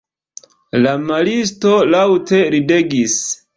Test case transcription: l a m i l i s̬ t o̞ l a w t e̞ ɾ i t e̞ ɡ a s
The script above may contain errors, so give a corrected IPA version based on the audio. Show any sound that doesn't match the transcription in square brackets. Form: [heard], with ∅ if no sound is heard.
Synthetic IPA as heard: l a m [a] l i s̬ t o̞ l a w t e̞ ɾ i [d] e̞ ɡ [i] s

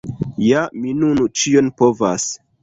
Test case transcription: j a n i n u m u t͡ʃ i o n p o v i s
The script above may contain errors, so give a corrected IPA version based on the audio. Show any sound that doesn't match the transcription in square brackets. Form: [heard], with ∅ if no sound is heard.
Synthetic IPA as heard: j a [m] i n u [n] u t͡ʃ i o n p o v [a] s

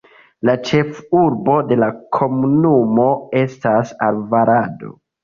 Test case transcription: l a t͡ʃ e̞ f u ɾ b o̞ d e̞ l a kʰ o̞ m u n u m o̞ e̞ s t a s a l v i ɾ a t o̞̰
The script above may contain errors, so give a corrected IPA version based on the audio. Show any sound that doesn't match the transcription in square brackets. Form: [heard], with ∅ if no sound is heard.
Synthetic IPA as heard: l a t͡ʃ e̞ f u ɾ b o̞ d e̞ l a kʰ o̞ m u n u m o̞ e̞ s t a s a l v [a] ɾ a [d] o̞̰

